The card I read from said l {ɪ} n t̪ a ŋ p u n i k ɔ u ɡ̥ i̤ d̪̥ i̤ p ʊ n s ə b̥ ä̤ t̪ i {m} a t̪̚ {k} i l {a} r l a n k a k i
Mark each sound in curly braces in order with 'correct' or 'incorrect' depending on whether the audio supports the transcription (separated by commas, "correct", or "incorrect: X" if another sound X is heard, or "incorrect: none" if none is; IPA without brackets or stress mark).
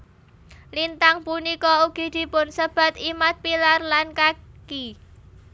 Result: incorrect: i, correct, incorrect: p, correct